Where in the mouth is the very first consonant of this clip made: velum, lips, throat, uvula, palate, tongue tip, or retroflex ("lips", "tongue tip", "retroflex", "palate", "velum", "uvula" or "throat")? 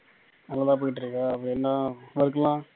tongue tip